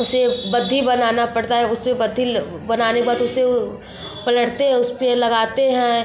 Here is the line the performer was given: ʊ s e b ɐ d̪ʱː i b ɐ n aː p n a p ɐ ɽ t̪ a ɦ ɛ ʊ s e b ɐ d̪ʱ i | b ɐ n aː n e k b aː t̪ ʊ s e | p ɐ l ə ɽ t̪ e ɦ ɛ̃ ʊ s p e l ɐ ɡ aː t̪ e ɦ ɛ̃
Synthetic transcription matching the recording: ʊ s e b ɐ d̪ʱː i b ɐ n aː n a p ɐ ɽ t̪ a ɦ ɛ ʊ s e b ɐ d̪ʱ i | b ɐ n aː n e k b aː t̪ ʊ s e | p ɐ l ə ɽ t̪ e ɦ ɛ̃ ʊ s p e l ɐ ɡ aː t̪ e ɦ ɛ̃